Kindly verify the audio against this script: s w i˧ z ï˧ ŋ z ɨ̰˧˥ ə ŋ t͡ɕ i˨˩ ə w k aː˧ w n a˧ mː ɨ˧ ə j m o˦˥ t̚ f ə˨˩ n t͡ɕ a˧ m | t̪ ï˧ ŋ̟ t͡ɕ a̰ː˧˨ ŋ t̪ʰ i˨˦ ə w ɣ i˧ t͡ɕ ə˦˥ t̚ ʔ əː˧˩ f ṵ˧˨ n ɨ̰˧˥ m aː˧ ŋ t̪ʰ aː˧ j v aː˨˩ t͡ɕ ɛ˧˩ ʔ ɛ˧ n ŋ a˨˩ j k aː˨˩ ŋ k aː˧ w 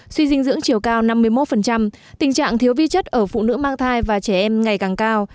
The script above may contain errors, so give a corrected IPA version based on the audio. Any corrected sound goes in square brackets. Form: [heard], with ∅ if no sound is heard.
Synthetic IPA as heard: s w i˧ z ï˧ ŋ z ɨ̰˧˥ ə ŋ t͡ɕ i˨˩ ə w k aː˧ w n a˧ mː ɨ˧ ə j m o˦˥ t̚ f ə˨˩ n t͡ɕ a˧ m | t̪ [ï˨˩] ŋ̟ t͡ɕ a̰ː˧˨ ŋ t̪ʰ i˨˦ ə w [v] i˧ t͡ɕ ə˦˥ t̚ ʔ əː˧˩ f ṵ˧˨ n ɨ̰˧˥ m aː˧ ŋ t̪ʰ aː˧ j v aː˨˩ t͡ɕ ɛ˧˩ ʔ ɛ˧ [m] ŋ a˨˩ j k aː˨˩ ŋ k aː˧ w